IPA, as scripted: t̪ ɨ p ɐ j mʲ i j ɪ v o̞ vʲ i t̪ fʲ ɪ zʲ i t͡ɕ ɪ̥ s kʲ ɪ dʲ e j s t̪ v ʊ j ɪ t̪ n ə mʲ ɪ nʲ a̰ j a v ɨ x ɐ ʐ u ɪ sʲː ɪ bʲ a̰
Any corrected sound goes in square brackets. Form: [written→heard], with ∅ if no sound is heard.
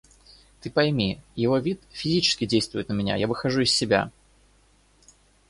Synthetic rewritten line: t̪ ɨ p ɐ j mʲ i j ɪ v o̞ vʲ i t̪ fʲ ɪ zʲ i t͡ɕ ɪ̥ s kʲ ɪ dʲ e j s t̪ v ʊ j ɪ t̪ n ə mʲ ɪ nʲ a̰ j a v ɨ x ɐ ʐ u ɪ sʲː ɪ bʲ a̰